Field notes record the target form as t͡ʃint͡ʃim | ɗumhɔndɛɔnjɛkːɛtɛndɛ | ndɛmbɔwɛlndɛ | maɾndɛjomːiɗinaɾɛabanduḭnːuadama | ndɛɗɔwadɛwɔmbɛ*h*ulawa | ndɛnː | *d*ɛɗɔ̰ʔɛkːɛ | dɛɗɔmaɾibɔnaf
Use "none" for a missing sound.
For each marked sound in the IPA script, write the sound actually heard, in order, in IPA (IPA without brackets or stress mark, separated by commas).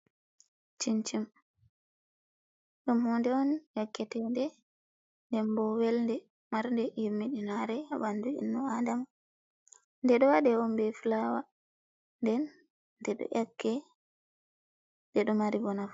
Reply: f, d